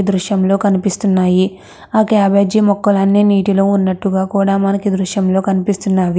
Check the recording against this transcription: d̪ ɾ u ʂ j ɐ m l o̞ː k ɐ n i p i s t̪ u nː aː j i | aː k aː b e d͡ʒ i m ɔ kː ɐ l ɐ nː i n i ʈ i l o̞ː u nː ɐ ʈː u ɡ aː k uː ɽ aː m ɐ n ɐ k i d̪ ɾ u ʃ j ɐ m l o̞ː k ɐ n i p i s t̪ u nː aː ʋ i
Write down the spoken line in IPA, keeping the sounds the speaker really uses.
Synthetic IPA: d̪ ɾ u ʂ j ɐ m l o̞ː k ɐ n i p i s t̪ u nː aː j i | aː k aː b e d͡ʒ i m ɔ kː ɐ l ɐ nː i n iː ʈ i l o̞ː u nː ɐ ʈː u ɡ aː k uː ɽ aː m ɐ n ɐ k i d̪ ɾ u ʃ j ɐ m l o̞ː k ɐ n i p i s t̪ u nː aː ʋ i

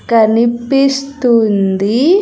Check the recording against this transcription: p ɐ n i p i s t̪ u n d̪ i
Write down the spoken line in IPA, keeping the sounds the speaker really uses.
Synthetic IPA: k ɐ n i p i s t̪ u n d̪ i

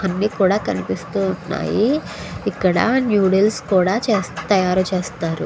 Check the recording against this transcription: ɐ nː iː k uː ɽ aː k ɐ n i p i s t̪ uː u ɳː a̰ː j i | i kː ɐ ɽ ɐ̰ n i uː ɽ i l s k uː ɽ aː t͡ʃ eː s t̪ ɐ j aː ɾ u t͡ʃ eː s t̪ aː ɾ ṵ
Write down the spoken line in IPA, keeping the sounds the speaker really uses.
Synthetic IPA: ɐ nː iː k uː ɽ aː k ɐ n i p i s t̪ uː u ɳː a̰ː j i | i kː ɐ ɽ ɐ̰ n j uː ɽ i l s k uː ɽ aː t͡ʃ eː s t̪ ɐ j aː ɾ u t͡ʃ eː s t̪ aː ɾ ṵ

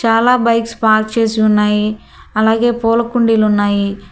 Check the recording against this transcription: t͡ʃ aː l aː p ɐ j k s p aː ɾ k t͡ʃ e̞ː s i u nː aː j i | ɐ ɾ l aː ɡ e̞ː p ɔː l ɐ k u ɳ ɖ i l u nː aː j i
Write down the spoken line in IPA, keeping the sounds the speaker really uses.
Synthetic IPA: t͡ʃ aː l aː b ɐ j k s p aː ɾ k t͡ʃ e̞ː s i u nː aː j i | ɐ l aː ɡ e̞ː p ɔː l ɐ k u ɳ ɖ i l u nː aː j i

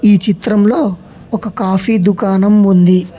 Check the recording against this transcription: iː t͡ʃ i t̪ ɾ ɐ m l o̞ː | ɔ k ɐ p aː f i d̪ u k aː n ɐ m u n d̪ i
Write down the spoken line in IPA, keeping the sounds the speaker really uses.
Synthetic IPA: iː t͡ʃ i t̪ ɾ ɐ m l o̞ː | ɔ k ɐ k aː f i d̪ u k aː n ɐ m u n d̪ i

